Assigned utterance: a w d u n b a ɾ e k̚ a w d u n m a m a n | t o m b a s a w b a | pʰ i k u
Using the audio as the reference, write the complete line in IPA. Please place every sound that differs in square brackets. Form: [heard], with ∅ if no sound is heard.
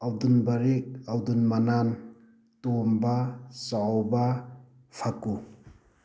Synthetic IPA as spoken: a w d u n b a ɾ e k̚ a w d u n m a [n] a n | t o m b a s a w b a | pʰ [a] k u

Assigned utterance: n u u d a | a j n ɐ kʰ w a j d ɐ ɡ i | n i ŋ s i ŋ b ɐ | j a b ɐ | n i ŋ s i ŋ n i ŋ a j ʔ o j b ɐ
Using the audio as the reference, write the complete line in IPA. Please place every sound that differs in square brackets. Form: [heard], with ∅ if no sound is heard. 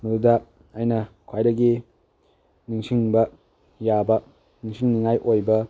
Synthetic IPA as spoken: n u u d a | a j n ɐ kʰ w a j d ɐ ɡ i | n i ŋ s i ŋ b ɐ | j a b ɐ | n i ŋ s i ŋ n i ŋ a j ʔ o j b ɐ

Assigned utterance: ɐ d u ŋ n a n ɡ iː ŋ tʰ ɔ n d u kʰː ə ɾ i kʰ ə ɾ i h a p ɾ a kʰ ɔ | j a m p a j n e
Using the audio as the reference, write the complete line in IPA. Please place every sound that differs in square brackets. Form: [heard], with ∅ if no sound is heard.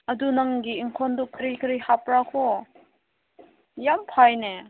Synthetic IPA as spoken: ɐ d u [∅] n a [ŋ] ɡ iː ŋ [kʰ] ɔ n d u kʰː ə ɾ i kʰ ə ɾ i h a p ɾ a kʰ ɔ | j a m [pʰ] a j n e

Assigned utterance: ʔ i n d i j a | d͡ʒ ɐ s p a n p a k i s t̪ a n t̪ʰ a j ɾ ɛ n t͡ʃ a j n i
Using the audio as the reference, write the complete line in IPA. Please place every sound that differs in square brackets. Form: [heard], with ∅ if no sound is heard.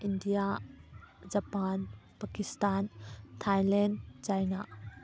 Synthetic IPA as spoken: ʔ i n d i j a | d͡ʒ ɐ [∅] p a n p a k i s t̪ a n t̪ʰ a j [l] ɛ n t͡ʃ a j n [a]

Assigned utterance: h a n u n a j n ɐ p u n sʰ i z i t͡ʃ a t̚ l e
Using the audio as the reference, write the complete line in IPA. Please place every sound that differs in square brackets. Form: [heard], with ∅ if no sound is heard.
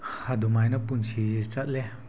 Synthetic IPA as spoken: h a [d] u [m] a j n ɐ p u n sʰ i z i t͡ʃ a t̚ l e

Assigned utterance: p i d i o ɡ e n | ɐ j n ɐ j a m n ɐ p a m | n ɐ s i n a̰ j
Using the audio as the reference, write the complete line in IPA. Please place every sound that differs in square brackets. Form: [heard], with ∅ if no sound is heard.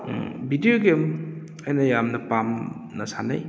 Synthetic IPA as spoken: [b] i d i o ɡ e [m] | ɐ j n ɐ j a m n ɐ p a m | n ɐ s [a] n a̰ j

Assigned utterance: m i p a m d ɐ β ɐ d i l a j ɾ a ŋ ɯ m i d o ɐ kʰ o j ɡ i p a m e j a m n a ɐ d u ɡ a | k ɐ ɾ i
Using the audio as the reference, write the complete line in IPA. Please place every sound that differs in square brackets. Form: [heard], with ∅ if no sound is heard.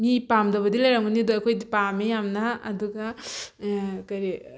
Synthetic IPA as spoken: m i p a m d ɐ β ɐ d i l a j ɾ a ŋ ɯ [n] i d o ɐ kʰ o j [d] i p a m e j a m n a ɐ d u ɡ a | k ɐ ɾ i

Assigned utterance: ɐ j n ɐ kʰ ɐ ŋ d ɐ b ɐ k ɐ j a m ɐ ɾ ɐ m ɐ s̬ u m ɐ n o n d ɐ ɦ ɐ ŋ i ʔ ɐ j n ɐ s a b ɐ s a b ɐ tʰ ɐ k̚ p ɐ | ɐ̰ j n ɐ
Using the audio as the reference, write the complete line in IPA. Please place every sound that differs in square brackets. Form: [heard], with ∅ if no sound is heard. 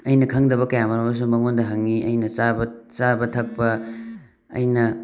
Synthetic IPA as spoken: ɐ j n ɐ kʰ ɐ ŋ d ɐ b ɐ k ɐ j a m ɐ ɾ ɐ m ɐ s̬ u m ɐ [ŋ] o n d ɐ ɦ ɐ ŋ i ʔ ɐ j n ɐ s a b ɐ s a b ɐ tʰ ɐ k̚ p ɐ | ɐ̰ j n ɐ

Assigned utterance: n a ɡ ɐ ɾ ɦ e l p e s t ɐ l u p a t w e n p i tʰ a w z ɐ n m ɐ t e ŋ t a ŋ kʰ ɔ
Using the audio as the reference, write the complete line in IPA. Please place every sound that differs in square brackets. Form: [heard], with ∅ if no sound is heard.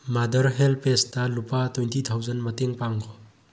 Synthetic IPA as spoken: [m] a [d] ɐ ɾ ɦ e l p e s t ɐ l u p a t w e n [t] i tʰ a w z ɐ n m ɐ t e ŋ [p] a ŋ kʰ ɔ

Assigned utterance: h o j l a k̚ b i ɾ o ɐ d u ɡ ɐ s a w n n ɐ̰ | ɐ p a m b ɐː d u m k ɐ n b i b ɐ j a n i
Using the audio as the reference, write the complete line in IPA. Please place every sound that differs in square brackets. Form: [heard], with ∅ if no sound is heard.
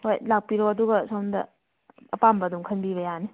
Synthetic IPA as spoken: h o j l a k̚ [p] i ɾ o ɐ d u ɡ ɐ s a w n [d] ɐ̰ | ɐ p a m b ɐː d u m [kʰ] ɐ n b i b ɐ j a n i

